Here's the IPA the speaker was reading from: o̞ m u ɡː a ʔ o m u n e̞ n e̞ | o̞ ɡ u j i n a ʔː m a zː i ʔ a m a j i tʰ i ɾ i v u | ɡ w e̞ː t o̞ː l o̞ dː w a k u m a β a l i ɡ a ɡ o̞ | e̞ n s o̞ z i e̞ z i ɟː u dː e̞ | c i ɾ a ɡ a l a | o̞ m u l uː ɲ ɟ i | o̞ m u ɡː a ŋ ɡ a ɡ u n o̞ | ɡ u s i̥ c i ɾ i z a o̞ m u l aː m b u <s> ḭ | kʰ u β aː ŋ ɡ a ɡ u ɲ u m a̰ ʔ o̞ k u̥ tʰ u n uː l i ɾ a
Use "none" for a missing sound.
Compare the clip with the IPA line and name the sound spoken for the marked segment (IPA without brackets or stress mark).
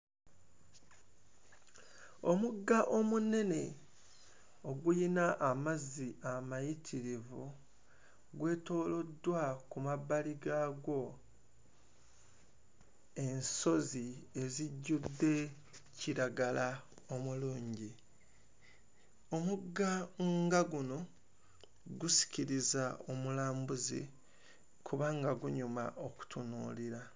z